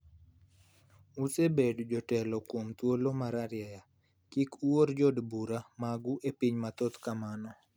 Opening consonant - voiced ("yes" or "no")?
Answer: no